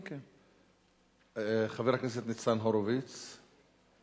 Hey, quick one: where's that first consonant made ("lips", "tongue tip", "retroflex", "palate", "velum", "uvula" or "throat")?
uvula